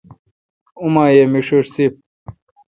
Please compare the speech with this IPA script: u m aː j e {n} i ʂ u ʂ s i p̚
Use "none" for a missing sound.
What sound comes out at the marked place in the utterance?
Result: m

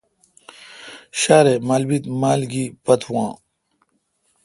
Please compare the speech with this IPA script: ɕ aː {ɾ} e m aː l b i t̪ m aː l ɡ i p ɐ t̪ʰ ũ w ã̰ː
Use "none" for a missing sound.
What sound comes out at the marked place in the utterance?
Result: ɾ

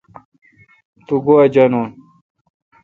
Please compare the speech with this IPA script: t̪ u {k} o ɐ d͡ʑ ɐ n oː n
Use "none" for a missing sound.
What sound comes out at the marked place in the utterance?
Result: ɡ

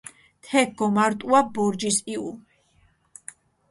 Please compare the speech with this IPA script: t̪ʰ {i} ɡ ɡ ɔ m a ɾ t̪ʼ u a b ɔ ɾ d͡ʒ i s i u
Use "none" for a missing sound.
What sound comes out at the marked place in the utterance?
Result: ɛ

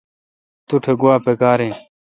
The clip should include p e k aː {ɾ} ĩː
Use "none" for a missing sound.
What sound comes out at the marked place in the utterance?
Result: ɾ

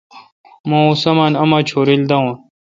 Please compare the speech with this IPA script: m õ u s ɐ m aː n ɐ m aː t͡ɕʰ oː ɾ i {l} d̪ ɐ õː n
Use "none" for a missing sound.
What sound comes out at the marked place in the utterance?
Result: l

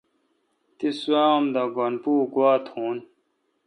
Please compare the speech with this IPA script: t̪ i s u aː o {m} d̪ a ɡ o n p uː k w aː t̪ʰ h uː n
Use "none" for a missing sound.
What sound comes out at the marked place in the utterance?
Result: m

